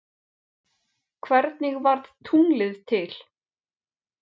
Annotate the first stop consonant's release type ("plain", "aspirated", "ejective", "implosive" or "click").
aspirated